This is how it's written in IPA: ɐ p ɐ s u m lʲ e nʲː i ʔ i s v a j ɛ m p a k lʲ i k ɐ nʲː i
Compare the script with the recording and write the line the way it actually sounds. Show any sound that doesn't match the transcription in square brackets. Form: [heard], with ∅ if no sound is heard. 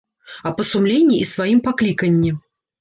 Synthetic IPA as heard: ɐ p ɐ s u m lʲ e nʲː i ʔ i s v a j [i] m p a k lʲ i k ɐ nʲː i